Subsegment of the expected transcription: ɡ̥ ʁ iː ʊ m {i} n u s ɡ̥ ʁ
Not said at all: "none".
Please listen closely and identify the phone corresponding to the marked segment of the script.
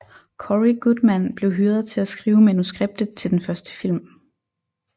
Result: æ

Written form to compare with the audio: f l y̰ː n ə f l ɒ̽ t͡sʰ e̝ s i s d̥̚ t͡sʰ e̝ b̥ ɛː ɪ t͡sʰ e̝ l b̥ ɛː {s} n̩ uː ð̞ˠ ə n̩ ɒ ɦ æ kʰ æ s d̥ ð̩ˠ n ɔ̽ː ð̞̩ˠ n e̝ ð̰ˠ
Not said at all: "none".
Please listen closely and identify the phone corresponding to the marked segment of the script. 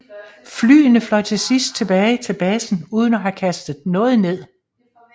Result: s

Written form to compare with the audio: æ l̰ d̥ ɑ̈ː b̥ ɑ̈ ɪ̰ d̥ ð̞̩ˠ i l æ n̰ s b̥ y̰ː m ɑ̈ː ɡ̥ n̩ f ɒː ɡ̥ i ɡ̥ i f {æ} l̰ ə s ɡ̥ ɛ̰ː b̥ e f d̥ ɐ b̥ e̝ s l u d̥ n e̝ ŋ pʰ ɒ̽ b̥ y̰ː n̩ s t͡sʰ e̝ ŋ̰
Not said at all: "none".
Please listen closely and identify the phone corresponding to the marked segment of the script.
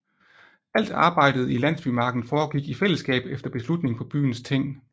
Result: e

